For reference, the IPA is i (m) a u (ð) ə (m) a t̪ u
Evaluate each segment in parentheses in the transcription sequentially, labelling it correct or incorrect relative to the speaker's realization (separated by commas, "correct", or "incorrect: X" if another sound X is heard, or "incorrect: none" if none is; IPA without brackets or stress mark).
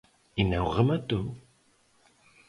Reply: incorrect: n, incorrect: ʁ, correct